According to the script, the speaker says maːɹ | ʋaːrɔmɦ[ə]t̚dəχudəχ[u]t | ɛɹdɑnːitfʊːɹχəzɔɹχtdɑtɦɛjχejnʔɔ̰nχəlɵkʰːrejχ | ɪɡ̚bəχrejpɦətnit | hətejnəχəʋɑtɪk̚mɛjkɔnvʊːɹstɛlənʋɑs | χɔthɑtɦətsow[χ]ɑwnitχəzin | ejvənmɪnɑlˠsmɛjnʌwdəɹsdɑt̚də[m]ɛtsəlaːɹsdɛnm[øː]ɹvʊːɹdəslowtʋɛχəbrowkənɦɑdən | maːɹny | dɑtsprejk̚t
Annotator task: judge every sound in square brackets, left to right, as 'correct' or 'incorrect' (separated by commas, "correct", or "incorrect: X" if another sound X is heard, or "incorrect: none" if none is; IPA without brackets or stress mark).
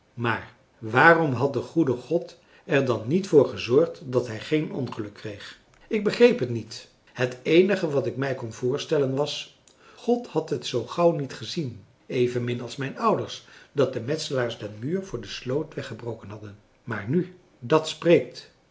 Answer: incorrect: ɑ, incorrect: ɔ, correct, correct, incorrect: yː